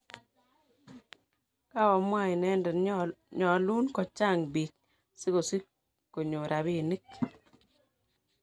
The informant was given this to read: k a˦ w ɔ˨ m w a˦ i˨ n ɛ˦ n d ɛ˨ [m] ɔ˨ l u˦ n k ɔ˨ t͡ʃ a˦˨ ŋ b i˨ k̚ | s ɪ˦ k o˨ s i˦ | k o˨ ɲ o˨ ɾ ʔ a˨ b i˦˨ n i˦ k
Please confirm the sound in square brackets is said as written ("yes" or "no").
no